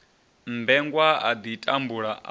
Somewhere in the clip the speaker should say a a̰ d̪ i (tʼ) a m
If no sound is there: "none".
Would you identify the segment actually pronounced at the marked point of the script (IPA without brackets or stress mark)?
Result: tʼ